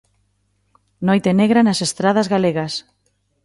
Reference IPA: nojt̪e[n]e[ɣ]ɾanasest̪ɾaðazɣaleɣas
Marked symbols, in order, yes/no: yes, yes

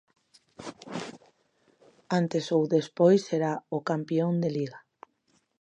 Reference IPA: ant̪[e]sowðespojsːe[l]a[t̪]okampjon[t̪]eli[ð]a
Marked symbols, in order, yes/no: yes, no, no, no, no

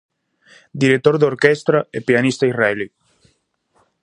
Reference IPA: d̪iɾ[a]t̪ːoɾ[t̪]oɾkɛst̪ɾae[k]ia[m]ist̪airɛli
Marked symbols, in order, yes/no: no, no, no, no

